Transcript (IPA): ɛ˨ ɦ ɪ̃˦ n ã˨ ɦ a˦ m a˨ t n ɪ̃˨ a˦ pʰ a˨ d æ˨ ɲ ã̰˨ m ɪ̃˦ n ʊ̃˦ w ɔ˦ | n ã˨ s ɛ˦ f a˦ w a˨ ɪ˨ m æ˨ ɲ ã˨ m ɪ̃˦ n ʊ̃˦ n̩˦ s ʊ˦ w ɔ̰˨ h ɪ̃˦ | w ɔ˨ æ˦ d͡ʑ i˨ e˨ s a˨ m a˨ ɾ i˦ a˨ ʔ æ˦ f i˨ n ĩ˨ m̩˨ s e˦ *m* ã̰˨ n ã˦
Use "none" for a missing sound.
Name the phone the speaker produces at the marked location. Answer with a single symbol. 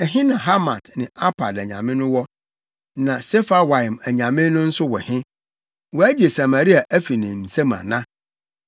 m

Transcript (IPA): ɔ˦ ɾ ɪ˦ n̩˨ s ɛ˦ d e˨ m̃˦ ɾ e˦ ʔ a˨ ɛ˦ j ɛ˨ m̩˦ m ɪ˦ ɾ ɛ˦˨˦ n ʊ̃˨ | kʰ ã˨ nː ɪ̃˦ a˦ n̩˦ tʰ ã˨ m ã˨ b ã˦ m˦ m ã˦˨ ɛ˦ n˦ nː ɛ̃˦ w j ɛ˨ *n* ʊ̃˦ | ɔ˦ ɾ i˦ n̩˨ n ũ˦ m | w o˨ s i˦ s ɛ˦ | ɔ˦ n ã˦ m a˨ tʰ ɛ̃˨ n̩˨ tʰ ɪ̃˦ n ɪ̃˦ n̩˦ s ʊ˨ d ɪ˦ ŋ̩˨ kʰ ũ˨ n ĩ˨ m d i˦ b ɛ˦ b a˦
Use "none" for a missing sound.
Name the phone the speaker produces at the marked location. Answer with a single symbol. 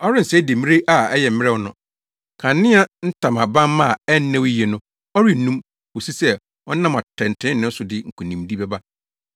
n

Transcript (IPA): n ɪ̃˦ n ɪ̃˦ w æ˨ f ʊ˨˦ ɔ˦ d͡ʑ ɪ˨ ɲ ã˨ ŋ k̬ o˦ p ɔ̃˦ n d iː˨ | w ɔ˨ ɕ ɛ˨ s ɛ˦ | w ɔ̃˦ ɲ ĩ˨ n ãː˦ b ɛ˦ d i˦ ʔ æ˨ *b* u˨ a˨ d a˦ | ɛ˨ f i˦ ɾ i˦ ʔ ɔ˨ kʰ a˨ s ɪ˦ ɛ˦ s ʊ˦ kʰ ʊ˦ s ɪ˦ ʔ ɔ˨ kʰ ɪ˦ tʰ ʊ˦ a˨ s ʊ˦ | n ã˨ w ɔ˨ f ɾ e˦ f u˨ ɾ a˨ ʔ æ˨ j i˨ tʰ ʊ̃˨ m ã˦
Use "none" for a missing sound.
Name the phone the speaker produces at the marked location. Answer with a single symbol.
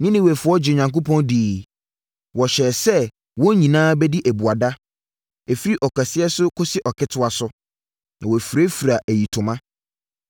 b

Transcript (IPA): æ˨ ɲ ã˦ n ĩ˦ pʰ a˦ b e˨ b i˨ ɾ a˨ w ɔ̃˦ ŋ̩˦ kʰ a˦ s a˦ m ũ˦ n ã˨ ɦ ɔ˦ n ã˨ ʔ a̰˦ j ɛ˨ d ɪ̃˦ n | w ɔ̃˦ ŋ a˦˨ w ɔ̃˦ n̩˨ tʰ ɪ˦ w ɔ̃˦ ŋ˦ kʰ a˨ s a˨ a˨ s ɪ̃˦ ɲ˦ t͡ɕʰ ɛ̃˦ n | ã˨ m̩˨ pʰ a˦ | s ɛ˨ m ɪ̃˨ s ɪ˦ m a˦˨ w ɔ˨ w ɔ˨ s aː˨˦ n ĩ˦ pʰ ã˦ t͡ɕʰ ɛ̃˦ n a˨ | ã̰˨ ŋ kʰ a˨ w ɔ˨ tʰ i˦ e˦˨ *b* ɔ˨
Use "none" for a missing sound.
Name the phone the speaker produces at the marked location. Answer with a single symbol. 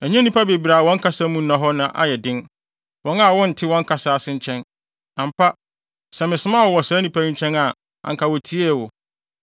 w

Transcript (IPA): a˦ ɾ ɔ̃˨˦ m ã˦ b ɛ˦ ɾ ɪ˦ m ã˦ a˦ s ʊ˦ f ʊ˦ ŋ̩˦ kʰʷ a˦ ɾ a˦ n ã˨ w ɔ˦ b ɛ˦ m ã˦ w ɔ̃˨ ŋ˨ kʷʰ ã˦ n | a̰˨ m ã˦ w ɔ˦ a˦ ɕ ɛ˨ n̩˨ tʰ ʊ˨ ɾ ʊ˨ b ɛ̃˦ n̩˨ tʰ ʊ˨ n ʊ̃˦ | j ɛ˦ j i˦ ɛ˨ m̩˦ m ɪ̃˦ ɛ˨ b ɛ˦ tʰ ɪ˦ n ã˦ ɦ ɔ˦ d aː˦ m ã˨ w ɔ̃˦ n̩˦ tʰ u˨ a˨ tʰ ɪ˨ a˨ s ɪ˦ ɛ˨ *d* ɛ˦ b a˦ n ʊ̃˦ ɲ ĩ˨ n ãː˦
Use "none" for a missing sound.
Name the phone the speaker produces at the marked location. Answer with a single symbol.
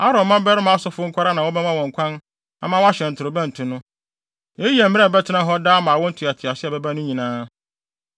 b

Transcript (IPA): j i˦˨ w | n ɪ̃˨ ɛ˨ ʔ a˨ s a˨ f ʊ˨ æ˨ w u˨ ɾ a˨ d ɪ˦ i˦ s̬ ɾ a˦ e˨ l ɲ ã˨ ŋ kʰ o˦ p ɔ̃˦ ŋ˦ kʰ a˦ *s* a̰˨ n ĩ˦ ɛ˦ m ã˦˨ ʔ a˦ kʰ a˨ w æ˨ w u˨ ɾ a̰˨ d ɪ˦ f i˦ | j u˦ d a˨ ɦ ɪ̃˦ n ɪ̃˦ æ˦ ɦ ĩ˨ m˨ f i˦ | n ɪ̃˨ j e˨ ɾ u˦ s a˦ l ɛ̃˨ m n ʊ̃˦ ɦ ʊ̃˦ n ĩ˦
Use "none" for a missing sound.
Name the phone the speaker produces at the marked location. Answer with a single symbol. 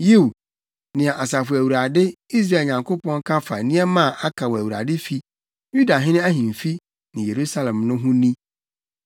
f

